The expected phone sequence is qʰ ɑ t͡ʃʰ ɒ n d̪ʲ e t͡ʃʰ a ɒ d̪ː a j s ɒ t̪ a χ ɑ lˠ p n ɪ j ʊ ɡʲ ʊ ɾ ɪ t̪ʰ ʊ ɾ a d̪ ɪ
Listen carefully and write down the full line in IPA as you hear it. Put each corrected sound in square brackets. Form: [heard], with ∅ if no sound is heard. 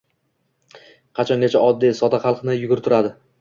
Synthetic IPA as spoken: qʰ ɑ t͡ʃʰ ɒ n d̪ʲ e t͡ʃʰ a ɒ d̪ː [i] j s ɒ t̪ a χ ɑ lˠ [q] n ɪ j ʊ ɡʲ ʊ ɾ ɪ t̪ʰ ʊ ɾ a d̪ ɪ

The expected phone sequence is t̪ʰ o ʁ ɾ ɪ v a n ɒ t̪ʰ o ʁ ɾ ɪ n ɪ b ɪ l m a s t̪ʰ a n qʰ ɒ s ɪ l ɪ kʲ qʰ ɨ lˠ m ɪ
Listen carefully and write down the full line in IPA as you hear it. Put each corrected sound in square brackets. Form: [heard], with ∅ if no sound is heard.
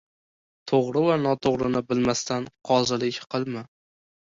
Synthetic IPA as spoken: t̪ʰ o ʁ ɾ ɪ v a n ɒ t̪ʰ o ʁ ɾ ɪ n ɪ b ɪ l m a s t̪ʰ a n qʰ ɒ [z] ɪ l ɪ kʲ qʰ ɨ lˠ m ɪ

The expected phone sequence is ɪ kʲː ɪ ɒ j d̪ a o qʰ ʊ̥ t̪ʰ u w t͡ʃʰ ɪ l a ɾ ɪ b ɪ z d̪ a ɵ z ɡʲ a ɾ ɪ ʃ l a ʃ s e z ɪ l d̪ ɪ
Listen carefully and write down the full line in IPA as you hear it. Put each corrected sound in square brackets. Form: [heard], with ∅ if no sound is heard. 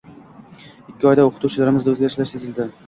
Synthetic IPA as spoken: ɪ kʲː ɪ ɒ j d̪ a o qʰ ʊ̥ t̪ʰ u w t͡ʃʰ ɪ l a ɾ ɪ [m] ɪ z d̪ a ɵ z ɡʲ a ɾ ɪ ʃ l a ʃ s e z ɪ l d̪ ɪ

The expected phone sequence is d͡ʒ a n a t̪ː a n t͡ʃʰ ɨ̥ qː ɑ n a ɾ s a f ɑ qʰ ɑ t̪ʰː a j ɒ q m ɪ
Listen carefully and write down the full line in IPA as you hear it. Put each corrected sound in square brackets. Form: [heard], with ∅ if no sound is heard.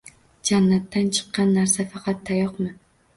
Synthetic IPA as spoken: d͡ʒ a [nː] a t̪ː a n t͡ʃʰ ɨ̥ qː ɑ [nː] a ɾ s a f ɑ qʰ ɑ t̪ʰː a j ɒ q m ɪ

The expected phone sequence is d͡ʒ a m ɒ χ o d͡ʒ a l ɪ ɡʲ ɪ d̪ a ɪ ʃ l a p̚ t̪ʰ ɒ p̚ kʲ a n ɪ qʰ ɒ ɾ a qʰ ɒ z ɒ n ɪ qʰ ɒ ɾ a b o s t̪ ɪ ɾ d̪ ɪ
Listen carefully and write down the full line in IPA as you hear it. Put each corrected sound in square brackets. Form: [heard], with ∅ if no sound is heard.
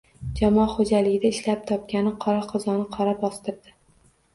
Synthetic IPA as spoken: d͡ʒ a m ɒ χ o d͡ʒ a l ɪ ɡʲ ɪ d̪ a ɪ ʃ l a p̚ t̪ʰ ɒ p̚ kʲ a n ɪ qʰ ɒ ɾ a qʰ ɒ z ɒ n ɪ qʰ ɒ ɾ a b [ɒ] s t̪ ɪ ɾ d̪ ɪ

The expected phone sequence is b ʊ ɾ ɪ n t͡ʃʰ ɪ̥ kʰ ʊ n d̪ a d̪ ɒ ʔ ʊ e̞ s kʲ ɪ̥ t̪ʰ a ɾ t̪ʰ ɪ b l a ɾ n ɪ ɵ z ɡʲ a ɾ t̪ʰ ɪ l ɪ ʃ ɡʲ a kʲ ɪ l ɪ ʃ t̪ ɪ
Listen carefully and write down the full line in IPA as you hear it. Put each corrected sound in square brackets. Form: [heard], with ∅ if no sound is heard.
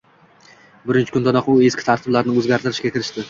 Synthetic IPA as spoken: b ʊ ɾ ɪ n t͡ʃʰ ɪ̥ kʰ ʊ n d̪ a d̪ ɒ [q] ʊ e̞ s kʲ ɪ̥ t̪ʰ a ɾ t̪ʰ ɪ b l a ɾ n ɪ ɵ z ɡʲ a ɾ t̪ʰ ɪ [ɾ] ɪ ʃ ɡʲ a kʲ ɪ [ɾ] ɪ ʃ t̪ ɪ

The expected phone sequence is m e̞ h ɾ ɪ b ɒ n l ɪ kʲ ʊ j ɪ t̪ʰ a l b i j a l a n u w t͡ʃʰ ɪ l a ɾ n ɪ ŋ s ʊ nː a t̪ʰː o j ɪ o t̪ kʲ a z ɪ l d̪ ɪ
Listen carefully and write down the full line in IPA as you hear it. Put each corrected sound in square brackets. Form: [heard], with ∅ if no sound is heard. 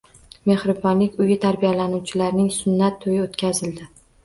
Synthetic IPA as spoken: m e̞ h ɾ ɪ b ɒ n l ɪ kʲ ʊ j ɪ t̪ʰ a [ɾ] b i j a l a n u w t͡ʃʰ ɪ l a ɾ n ɪ ŋ s ʊ nː a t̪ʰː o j ɪ o t̪ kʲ a z ɪ l d̪ ɪ

